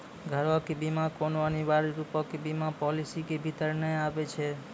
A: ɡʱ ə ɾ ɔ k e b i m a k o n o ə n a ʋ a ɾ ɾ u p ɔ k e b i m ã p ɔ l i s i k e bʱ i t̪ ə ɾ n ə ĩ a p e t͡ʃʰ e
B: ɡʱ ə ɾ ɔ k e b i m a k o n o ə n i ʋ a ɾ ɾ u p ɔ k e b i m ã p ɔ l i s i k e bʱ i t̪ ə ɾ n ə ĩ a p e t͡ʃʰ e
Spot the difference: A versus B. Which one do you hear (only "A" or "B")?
B